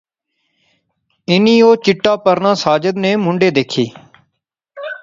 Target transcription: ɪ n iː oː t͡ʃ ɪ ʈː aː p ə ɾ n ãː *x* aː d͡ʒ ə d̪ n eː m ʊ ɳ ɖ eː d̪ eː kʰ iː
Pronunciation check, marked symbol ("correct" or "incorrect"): incorrect